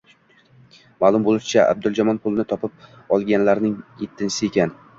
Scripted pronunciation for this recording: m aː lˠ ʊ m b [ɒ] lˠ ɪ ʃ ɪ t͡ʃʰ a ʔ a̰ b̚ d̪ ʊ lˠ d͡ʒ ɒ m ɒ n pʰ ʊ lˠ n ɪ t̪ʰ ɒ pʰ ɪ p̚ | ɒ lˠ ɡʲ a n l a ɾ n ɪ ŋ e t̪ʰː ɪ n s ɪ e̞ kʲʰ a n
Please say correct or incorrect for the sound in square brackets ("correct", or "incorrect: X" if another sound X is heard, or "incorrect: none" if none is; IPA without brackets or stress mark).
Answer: incorrect: o